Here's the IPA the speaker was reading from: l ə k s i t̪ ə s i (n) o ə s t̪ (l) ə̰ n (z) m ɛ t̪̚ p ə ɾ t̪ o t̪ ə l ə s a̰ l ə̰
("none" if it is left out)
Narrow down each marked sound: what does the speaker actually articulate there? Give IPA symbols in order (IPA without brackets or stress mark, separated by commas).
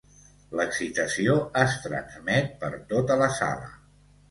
none, ɾ, z